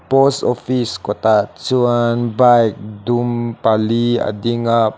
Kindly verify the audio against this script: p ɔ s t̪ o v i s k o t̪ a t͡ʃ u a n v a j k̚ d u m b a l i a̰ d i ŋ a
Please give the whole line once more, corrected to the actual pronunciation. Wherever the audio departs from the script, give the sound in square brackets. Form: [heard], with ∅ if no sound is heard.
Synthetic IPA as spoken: p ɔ s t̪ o [f] i s k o t̪ a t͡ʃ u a n [b] a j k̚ d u m [p] a l i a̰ d i ŋ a